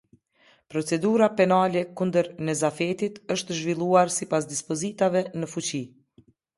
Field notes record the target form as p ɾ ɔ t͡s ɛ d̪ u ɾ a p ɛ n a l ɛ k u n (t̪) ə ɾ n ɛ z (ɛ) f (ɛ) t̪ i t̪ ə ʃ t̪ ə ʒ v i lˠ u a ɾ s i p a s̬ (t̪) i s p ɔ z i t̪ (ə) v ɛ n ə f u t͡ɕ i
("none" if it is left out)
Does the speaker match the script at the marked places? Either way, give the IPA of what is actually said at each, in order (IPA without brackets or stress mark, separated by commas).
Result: d̪, a, ɛ, d̪, a